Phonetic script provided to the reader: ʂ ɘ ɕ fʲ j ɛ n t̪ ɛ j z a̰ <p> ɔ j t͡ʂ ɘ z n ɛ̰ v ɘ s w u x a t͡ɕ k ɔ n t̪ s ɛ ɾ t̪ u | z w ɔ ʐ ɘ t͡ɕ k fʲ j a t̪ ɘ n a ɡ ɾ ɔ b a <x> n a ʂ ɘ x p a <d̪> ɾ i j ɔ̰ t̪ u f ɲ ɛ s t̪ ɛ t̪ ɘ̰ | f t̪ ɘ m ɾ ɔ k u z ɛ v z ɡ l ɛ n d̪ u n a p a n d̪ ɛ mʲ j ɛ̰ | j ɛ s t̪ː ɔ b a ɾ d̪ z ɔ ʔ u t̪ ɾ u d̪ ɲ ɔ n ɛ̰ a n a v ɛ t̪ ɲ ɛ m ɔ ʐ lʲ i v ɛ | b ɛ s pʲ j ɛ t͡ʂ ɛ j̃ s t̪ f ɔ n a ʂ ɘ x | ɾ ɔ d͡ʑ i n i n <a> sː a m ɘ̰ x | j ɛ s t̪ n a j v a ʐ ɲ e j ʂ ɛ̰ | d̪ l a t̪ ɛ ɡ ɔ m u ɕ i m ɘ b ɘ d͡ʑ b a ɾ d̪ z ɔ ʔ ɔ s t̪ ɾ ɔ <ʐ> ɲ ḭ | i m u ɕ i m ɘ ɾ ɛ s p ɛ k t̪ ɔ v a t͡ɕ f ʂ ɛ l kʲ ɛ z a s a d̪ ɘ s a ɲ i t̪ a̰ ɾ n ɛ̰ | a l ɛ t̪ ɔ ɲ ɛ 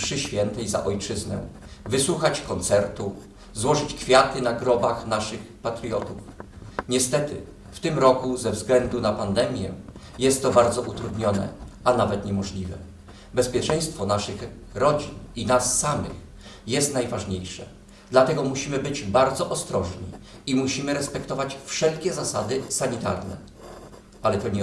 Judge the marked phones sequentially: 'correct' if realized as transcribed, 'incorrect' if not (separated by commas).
incorrect, correct, incorrect, correct, correct